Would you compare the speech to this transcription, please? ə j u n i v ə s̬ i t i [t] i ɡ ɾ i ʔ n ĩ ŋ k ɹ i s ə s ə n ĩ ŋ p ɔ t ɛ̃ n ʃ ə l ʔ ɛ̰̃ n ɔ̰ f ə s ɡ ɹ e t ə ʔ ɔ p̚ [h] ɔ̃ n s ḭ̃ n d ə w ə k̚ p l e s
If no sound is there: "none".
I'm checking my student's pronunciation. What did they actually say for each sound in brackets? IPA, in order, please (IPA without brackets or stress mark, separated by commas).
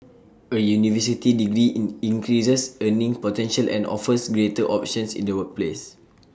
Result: d, ʃ